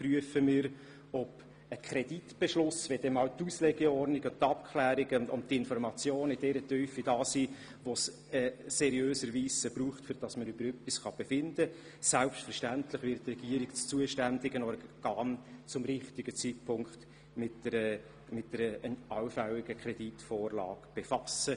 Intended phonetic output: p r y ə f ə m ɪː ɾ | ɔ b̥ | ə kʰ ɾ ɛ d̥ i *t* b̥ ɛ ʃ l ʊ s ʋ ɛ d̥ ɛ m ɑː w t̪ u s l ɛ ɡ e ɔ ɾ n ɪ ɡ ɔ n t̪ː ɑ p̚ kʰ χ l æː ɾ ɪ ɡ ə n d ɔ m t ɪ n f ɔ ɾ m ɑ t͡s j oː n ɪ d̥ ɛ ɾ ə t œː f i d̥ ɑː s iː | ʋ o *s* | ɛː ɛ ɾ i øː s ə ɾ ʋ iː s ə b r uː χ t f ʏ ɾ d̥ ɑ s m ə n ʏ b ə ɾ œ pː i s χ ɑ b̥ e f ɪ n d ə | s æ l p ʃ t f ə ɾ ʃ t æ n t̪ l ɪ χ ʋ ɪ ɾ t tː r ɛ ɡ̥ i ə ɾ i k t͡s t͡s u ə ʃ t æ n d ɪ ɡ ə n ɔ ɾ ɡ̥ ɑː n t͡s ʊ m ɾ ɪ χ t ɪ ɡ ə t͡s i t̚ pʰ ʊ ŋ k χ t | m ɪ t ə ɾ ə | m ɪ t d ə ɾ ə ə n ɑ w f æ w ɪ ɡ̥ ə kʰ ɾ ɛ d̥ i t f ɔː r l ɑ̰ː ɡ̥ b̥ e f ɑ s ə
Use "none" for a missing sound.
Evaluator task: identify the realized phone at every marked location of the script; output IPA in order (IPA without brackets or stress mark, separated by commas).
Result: t, s